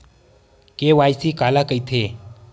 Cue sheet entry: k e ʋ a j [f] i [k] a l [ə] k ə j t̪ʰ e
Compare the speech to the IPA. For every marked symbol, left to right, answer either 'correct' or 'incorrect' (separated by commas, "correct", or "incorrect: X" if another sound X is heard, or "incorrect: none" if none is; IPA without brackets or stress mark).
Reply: incorrect: s, correct, incorrect: a